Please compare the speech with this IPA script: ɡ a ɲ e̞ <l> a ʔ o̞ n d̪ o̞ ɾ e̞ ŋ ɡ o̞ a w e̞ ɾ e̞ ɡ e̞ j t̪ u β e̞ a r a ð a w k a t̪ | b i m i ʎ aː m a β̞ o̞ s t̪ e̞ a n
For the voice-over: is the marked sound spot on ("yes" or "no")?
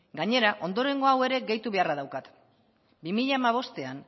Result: no